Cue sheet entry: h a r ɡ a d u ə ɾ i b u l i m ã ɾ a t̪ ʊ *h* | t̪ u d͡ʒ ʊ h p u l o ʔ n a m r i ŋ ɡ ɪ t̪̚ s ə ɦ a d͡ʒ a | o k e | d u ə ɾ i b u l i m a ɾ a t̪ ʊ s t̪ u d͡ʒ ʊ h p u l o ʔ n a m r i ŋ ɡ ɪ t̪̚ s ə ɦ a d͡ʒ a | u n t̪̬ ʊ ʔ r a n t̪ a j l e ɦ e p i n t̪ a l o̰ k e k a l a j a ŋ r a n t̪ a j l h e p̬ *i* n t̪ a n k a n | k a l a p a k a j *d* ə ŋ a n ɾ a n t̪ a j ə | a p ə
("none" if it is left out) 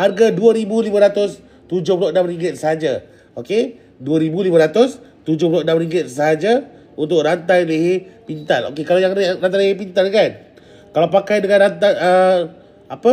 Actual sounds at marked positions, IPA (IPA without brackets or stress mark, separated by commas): s, i, d